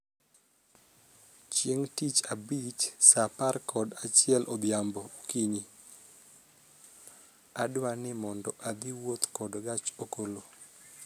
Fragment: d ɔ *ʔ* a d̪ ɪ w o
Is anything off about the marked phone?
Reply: no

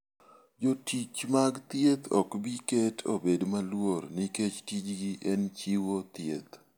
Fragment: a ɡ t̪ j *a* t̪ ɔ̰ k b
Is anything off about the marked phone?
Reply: yes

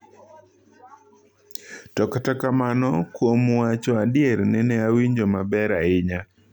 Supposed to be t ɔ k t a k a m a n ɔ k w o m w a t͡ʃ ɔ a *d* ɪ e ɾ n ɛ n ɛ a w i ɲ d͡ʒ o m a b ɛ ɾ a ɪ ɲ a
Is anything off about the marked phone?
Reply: no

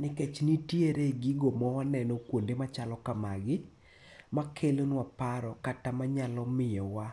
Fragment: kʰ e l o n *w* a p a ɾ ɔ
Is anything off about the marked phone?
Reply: no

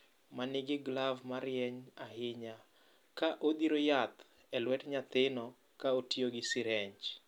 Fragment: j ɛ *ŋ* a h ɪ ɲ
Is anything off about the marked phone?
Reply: yes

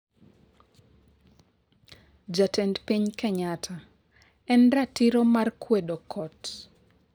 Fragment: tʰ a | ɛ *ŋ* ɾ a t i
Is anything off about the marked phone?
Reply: yes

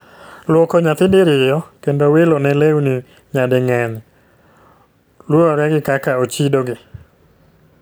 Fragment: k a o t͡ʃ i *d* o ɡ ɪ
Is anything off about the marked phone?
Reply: no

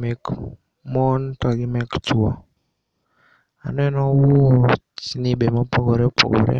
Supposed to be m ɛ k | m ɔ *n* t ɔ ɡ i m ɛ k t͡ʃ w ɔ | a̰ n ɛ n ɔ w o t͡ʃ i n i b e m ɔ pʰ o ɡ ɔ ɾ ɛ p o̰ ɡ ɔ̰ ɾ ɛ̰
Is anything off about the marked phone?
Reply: no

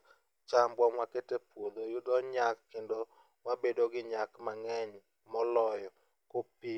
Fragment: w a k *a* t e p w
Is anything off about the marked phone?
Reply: yes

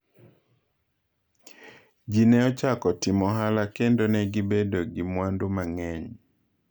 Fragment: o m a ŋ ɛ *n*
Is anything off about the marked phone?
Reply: yes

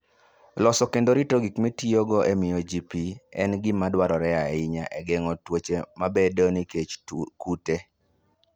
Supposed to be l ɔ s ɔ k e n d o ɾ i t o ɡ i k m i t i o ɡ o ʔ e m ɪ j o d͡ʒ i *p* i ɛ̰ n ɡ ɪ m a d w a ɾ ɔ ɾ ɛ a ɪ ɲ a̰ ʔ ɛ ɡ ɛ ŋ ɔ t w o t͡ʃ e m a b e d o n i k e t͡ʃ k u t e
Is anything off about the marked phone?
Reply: no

